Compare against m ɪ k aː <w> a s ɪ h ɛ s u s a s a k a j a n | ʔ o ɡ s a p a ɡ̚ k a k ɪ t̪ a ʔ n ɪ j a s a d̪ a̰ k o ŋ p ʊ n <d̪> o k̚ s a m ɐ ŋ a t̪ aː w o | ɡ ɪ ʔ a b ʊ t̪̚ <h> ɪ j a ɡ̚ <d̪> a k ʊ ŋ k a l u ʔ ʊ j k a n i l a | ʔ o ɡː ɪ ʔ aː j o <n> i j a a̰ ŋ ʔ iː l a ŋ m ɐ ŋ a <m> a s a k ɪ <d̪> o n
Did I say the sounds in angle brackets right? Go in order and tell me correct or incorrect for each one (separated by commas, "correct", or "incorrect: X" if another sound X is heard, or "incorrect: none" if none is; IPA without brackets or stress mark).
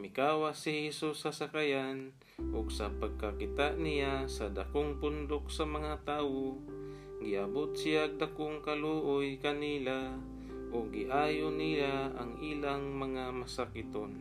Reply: correct, correct, incorrect: s, correct, correct, correct, incorrect: t̪